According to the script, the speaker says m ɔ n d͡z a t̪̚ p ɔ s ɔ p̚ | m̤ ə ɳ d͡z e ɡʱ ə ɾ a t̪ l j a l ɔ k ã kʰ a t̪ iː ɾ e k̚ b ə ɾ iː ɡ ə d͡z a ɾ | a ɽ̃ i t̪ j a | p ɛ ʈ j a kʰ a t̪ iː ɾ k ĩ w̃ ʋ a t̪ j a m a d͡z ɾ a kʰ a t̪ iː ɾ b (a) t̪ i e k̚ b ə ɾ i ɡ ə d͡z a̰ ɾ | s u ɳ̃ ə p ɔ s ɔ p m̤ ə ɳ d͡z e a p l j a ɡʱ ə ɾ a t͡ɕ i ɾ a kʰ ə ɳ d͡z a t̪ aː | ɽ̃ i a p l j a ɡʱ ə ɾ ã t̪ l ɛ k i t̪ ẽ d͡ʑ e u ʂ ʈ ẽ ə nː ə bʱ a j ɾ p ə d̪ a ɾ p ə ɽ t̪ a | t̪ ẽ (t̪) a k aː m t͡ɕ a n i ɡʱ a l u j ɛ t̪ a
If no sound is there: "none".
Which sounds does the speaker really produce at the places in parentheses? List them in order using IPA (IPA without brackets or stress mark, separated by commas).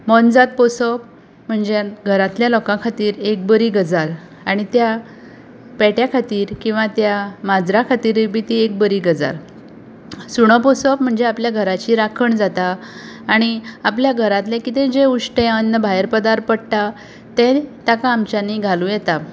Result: i, t̪